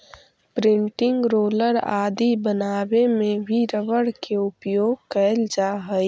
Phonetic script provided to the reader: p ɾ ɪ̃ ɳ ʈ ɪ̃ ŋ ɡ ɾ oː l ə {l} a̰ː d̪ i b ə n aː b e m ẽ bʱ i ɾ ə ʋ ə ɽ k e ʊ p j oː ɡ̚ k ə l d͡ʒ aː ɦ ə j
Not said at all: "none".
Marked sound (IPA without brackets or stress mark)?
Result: ɾ